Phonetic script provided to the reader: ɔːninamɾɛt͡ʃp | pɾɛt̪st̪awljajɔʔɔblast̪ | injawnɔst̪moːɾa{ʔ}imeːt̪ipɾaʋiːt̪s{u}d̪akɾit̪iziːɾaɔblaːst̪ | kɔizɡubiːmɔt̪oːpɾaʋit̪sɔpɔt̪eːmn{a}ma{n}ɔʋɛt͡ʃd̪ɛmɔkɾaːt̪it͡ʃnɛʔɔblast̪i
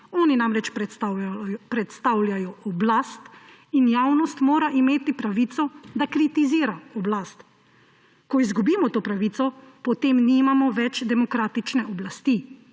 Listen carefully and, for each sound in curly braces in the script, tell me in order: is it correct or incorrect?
correct, incorrect: ɔ, incorrect: i, incorrect: m

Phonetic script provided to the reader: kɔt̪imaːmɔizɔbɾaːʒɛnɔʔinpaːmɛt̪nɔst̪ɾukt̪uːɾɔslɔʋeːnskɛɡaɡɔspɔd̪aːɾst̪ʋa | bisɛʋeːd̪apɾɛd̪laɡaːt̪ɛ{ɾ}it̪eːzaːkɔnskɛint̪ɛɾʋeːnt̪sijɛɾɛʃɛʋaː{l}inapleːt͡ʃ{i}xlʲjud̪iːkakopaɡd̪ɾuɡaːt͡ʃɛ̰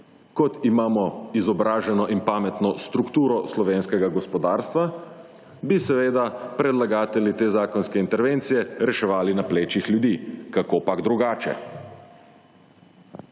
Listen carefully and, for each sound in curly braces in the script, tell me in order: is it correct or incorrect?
incorrect: l, correct, correct

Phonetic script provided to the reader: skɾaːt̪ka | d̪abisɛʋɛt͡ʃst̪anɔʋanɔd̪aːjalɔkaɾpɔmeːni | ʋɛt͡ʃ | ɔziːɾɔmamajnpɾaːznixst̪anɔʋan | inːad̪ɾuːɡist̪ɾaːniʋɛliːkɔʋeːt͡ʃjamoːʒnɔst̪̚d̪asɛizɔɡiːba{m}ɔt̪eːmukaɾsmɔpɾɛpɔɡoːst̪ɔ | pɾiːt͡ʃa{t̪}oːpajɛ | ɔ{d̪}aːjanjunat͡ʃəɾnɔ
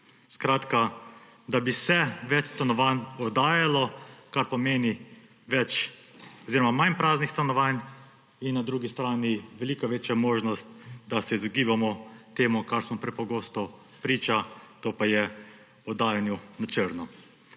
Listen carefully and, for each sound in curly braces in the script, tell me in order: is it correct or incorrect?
correct, correct, correct

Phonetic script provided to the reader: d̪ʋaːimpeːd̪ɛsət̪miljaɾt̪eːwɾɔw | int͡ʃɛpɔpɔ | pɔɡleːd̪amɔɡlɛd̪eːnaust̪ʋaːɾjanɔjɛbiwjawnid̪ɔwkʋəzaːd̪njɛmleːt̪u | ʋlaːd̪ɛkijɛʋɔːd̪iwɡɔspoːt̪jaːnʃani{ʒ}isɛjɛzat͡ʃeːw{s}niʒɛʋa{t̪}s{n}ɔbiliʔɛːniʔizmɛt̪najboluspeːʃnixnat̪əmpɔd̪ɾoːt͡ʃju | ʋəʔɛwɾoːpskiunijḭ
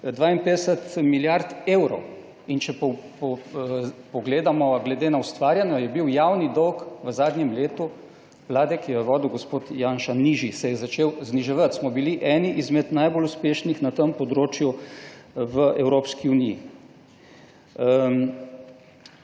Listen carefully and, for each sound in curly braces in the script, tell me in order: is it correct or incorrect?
correct, incorrect: z, correct, incorrect: m

